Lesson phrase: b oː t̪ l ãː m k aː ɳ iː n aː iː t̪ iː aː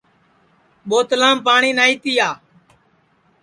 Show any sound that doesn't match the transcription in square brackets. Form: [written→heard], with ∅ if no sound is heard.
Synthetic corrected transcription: [b→ɓ] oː t̪ l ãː m [k→p] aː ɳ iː n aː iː t̪ iː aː